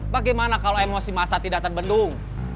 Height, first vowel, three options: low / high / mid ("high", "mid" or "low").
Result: low